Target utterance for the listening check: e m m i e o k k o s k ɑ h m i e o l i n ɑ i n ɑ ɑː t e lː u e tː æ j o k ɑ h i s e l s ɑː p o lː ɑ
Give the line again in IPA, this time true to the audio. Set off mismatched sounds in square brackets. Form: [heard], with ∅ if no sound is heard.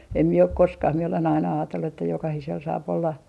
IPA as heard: e m m i e o k k o s k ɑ h m i e o l [e] n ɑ i n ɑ ɑː t e lː u e tː æ j o k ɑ h i s e l s ɑː p o lː ɑ